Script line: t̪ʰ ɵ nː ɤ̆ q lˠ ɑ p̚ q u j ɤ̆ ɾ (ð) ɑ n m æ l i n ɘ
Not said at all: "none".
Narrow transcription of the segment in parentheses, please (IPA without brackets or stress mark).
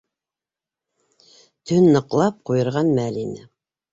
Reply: ʁ